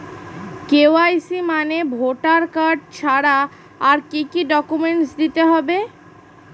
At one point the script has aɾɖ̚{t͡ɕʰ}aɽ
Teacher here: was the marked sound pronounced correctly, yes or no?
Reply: yes